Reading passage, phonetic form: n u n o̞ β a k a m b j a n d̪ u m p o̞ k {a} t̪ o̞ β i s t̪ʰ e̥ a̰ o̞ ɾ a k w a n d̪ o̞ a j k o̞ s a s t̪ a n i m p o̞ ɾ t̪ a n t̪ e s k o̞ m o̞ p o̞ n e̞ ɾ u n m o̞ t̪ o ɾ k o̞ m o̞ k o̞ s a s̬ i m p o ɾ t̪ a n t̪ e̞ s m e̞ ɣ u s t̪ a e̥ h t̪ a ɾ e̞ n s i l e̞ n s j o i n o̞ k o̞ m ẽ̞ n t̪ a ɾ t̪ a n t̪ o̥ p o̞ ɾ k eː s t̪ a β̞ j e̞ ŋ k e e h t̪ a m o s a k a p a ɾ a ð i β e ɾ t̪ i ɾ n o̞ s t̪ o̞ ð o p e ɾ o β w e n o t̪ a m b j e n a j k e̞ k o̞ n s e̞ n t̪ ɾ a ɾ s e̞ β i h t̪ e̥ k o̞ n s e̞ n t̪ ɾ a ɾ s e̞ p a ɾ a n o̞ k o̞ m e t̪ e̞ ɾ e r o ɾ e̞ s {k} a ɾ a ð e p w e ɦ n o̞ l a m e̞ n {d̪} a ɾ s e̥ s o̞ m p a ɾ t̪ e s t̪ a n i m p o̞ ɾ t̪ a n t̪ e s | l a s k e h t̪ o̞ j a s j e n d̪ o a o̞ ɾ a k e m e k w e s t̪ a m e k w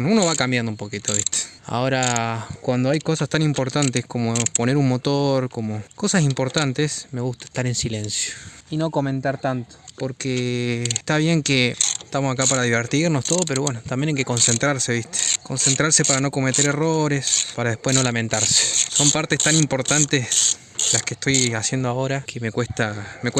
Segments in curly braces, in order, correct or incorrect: incorrect: i, incorrect: p, incorrect: t̪

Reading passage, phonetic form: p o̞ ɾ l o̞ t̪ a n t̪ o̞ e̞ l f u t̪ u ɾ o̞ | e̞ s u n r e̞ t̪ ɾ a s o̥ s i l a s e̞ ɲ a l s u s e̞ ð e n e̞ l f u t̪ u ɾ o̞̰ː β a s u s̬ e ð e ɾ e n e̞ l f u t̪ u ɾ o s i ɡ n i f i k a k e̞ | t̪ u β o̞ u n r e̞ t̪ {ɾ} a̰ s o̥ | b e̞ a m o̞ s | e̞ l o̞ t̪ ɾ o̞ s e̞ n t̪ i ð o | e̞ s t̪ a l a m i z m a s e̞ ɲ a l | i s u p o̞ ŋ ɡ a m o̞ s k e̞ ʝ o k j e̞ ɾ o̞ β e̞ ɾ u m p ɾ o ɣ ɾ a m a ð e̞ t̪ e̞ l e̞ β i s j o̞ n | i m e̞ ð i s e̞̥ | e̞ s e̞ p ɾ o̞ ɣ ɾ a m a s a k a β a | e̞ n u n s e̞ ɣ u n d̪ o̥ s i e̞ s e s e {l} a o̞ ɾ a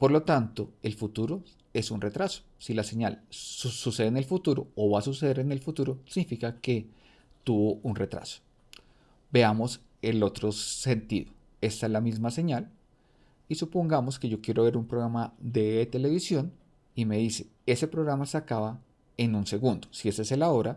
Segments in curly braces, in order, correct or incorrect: correct, correct

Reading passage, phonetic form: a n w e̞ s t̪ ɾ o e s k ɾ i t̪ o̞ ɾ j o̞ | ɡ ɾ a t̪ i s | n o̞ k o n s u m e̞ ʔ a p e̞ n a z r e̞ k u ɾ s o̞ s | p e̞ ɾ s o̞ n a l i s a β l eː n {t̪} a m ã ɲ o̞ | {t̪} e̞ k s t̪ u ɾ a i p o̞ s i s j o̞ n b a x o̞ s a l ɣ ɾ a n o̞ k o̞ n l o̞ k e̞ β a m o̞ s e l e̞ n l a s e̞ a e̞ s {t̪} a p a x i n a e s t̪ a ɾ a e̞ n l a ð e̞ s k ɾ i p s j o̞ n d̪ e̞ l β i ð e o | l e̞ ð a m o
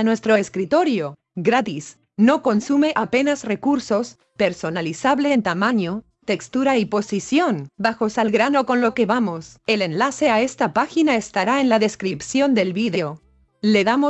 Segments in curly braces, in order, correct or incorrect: correct, correct, correct

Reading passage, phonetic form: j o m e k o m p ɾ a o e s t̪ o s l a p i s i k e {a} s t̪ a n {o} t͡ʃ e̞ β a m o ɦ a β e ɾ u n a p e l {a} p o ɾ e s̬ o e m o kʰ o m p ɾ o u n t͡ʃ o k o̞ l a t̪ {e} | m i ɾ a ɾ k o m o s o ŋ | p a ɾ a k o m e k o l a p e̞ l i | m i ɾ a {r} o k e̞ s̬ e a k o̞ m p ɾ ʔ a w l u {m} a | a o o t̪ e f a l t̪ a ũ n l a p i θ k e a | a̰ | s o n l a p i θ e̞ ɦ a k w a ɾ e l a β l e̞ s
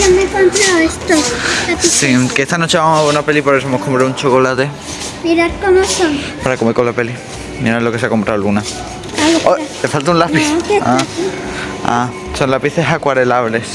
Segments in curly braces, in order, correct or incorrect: incorrect: e, correct, incorrect: i, correct, incorrect: l, incorrect: n

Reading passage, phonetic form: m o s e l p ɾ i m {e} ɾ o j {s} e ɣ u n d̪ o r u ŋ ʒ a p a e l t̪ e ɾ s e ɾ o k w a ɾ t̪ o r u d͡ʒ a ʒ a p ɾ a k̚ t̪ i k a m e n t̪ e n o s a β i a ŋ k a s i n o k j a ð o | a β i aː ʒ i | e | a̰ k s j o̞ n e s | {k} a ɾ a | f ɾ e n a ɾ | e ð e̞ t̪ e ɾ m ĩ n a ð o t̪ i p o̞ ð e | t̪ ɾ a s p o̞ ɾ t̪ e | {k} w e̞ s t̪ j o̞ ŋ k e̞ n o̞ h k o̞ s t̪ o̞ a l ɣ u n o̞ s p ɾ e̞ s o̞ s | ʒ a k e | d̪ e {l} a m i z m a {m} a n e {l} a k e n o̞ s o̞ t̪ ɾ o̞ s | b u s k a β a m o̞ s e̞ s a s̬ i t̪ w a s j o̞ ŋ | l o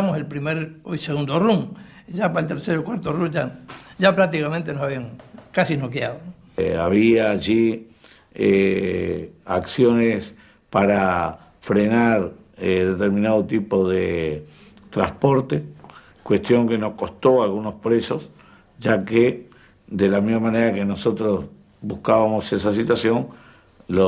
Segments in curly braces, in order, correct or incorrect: correct, correct, incorrect: p, correct, correct, correct, incorrect: ɾ

